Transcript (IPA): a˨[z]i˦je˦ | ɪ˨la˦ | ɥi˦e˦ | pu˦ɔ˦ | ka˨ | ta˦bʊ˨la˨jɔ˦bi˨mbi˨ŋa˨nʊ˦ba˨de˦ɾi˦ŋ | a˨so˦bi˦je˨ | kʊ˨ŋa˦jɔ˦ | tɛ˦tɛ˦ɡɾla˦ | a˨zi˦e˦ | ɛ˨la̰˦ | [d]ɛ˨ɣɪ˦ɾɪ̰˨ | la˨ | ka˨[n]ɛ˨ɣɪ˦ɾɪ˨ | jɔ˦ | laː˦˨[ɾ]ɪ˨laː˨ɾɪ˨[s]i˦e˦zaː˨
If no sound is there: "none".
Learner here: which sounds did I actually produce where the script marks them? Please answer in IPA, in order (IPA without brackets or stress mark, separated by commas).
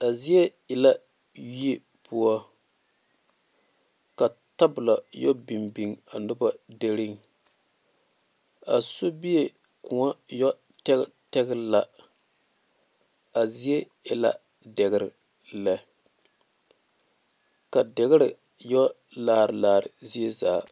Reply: z, d, d, ɾ, z